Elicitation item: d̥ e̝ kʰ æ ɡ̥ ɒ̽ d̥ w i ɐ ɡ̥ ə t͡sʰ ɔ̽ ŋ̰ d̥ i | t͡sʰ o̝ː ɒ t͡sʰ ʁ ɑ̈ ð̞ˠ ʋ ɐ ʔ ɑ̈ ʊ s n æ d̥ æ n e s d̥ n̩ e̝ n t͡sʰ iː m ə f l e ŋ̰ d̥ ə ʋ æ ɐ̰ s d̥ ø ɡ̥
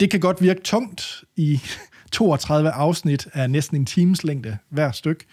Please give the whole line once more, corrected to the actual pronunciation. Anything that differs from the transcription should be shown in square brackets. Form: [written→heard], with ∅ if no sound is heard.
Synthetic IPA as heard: d̥ e̝ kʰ æ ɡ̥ ɒ̽ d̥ [w→ʋ] i ɐ ɡ̥ ə t͡sʰ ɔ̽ ŋ̰ d̥ i | t͡sʰ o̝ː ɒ t͡sʰ ʁ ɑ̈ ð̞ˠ ʋ [ɐ→ə] ʔ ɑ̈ ʊ s n [æ→i] d̥ æ n e s d̥ n̩ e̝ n t͡sʰ iː m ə [f→s] l e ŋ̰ d̥ ə ʋ æ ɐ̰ s d̥ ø ɡ̥